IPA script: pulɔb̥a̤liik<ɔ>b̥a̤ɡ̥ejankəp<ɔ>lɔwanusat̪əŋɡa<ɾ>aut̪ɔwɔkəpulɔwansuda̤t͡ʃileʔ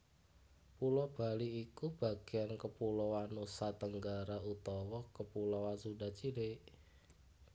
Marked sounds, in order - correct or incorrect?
incorrect: u, incorrect: u, correct

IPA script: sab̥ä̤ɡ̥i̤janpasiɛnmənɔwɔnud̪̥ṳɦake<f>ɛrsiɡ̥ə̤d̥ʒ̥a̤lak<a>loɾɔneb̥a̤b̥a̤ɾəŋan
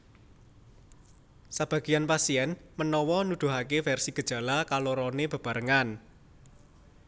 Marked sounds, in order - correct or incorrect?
correct, correct

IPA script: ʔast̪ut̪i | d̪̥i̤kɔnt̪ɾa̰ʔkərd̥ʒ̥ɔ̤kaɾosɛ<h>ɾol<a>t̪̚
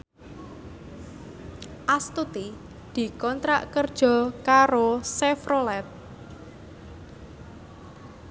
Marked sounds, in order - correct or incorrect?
incorrect: f, incorrect: ɛ

